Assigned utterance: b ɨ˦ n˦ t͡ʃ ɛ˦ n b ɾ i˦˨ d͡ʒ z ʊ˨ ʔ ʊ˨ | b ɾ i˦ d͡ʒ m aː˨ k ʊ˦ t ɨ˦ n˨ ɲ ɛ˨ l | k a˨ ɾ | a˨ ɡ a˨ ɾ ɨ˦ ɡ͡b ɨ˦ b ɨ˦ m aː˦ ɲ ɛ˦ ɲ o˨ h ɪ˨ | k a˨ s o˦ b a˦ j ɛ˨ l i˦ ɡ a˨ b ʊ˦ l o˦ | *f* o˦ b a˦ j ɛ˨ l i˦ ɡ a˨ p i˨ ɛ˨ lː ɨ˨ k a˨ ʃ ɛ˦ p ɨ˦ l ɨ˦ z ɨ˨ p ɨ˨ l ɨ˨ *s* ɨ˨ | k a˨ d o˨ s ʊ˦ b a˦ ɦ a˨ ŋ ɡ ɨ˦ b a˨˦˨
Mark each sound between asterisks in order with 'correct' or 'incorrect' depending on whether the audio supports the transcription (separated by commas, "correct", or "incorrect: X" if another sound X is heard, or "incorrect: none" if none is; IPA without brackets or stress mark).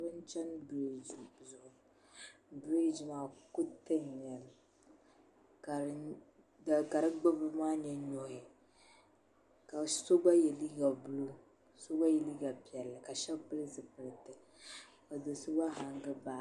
incorrect: s, incorrect: t